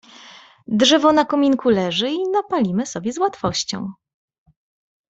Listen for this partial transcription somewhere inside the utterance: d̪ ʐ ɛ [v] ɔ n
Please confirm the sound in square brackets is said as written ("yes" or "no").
yes